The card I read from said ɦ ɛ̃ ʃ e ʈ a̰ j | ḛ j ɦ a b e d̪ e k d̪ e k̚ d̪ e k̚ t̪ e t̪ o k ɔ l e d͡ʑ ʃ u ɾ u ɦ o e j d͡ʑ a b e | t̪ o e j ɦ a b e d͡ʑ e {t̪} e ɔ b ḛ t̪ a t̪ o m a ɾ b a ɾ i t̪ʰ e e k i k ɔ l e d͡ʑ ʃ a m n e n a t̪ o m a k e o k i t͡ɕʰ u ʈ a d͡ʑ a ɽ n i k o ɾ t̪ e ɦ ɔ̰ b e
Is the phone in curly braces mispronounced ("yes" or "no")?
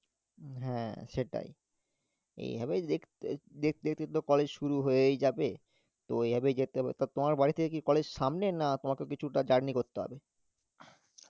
no